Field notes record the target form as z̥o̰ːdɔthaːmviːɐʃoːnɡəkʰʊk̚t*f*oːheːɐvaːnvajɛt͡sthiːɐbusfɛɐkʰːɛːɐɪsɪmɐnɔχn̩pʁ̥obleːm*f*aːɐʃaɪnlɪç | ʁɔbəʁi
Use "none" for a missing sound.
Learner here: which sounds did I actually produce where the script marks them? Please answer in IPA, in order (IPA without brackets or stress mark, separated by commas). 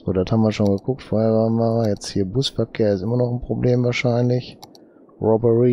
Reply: f, v